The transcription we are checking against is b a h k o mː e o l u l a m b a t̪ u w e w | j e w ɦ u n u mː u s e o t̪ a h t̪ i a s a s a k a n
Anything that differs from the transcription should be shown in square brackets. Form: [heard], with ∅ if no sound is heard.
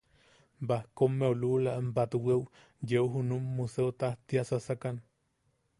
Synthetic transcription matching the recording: b a h k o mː e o l u l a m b a t̪ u w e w | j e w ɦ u n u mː u s e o t̪ a h t̪ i a s a s a k a n